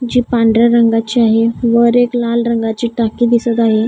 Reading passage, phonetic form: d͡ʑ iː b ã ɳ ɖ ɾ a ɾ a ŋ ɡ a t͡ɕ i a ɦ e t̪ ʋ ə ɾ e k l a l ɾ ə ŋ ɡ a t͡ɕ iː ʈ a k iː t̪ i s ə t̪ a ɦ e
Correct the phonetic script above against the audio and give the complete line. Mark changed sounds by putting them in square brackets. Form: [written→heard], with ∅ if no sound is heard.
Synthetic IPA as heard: d͡ʑ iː [b→p] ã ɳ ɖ ɾ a ɾ [a→ə] ŋ ɡ a t͡ɕ i a ɦ e [t̪→∅] ʋ ə ɾ e k l a l ɾ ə ŋ ɡ a t͡ɕ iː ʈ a k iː [t̪→d̪] i s ə t̪ a ɦ e